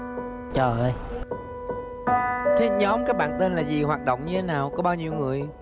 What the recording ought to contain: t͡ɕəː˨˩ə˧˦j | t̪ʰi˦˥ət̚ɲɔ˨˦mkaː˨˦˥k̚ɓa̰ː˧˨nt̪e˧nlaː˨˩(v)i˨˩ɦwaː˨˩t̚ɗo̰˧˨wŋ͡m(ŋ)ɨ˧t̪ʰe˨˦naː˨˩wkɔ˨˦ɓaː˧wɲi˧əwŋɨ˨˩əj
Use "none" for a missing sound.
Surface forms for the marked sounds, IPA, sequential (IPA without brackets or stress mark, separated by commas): z, ɲ